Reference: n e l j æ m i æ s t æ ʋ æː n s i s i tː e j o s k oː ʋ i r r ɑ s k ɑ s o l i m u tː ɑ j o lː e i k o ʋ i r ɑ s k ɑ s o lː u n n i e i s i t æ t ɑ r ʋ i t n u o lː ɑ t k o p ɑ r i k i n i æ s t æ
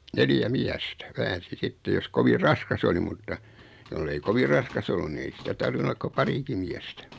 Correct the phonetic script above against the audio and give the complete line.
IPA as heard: n e l j æ m i æ s t æ ʋ æː n s i s i tː e j o s k o ʋ i r r ɑ s k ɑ s o l i m u tː ɑ j o lː e i k o ʋ i r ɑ s k ɑ s o lː u n n i e i s i t æ t ɑ r ʋ i n u o lː ɑ k k o p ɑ r i k i m i æ s t æ